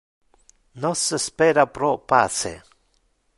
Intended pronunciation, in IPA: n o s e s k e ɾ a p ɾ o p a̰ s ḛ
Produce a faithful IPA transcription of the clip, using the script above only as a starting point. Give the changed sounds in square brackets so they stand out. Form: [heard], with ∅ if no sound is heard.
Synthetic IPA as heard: n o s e s [p] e ɾ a p ɾ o p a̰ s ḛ

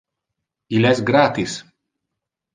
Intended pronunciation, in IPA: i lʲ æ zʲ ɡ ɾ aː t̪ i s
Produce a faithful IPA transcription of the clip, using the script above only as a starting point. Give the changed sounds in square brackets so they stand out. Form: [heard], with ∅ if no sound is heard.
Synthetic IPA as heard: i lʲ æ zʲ ɡ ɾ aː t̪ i s

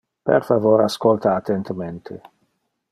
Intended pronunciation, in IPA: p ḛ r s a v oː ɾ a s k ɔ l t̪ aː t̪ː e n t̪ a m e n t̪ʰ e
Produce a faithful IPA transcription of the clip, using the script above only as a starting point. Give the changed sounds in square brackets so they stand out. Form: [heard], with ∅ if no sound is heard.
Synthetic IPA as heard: p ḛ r [f] a v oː ɾ a s k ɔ l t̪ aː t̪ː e n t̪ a m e n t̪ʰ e

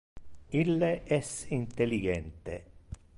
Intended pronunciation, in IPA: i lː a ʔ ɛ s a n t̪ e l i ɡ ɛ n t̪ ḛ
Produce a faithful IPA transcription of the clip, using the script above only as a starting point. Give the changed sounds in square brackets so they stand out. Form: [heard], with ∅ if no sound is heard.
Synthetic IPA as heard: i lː [e] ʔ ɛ s [i] n t̪ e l i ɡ ɛ n t̪ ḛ

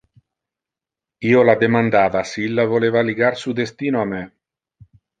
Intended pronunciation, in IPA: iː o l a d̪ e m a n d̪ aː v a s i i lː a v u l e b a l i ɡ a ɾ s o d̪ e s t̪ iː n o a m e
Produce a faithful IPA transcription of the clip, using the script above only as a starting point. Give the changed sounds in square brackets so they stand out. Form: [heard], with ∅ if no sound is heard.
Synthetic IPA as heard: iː o l a d̪ e m a n d̪ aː v a s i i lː a v [o] l e [v] a l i ɡ a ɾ s [u] d̪ e s t̪ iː n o a m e

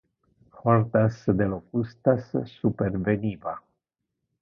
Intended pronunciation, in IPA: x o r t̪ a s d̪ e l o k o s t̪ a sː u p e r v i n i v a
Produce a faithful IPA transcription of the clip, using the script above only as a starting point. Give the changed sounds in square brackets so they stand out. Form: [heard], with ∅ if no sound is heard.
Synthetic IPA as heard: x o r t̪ a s d̪ e l o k [u] s t̪ a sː u p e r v [e] n i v a

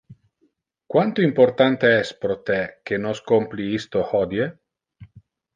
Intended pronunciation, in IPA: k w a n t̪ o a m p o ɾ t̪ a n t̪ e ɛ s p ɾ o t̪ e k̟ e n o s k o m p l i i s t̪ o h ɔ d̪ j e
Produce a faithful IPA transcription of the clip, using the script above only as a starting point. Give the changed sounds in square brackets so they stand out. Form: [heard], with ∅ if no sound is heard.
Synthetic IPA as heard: k w a n t̪ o [i] m p o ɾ t̪ a n t̪ e ɛ s p ɾ o t̪ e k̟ e n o s k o m p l i i s t̪ o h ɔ d̪ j e

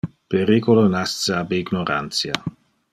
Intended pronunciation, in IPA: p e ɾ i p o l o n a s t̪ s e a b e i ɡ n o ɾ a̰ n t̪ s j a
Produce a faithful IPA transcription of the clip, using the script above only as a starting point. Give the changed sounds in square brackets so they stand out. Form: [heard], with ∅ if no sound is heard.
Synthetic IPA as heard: p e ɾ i [k] o l o n a s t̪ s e a b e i ɡ n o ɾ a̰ n t̪ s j a

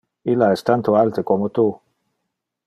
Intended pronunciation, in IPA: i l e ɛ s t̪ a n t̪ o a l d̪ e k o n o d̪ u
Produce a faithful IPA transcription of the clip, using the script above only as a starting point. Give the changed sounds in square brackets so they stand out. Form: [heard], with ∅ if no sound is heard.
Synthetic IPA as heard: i l [a] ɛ s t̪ a n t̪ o a l [t̪] e k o [m] o [t̪] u

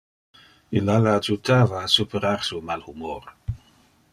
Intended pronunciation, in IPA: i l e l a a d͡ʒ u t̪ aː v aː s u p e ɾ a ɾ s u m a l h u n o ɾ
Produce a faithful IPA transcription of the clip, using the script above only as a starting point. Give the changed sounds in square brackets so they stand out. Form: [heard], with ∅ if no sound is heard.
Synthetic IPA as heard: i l [a] l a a d͡ʒ u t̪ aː v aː s u p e ɾ a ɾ s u m a l h u [m] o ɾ

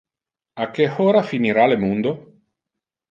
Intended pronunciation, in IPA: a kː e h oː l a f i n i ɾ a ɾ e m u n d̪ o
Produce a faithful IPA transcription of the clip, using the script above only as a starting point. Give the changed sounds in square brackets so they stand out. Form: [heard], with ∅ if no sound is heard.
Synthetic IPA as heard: a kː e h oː [ɾ] a f i n i ɾ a [l] e m u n d̪ o

